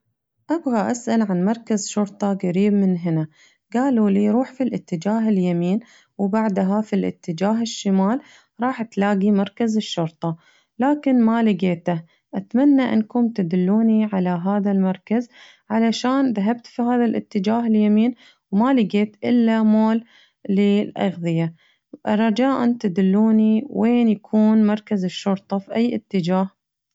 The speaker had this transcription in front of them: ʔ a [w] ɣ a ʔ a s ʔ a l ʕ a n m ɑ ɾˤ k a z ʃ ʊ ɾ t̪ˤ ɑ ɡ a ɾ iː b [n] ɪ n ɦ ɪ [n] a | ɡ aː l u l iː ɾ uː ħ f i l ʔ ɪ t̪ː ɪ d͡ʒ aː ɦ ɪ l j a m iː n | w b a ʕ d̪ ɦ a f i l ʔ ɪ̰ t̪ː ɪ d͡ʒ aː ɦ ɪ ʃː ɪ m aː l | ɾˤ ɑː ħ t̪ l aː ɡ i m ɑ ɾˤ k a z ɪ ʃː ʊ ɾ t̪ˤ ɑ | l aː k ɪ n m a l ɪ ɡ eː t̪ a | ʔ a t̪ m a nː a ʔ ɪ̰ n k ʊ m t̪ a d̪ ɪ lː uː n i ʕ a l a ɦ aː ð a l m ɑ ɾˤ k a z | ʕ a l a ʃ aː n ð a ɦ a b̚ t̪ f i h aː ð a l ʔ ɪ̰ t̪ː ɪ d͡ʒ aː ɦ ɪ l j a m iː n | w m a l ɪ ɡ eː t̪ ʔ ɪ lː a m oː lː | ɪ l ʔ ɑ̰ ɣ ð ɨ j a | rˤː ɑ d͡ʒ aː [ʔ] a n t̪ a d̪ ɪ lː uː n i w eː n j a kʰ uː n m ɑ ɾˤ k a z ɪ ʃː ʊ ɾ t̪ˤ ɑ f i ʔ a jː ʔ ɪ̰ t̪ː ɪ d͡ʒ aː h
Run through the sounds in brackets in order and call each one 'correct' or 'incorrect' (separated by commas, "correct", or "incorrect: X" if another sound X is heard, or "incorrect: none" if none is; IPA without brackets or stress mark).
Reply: incorrect: b, incorrect: m, correct, correct